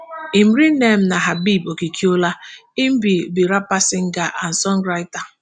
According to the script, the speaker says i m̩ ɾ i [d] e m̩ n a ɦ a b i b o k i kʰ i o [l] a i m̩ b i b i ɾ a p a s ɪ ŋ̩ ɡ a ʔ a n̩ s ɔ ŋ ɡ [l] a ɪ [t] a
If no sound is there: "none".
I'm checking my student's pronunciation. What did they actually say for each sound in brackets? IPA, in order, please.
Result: n, l, ɾ, t

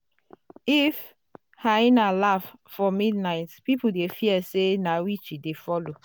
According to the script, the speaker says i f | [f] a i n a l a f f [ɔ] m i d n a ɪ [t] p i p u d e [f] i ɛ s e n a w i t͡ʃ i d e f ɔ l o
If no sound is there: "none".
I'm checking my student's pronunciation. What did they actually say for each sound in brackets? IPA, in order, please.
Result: h, ɔ, t, f

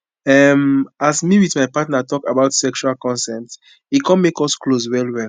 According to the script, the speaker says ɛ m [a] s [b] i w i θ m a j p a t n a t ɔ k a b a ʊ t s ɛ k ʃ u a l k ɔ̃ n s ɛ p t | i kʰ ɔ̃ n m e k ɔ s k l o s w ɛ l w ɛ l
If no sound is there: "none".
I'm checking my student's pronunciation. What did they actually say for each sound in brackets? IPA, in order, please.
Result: a, m

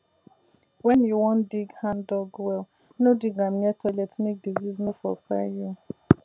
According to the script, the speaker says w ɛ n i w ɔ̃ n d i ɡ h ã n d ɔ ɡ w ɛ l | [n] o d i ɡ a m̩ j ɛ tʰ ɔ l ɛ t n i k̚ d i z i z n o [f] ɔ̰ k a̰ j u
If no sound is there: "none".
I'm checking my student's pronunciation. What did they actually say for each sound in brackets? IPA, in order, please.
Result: n, f

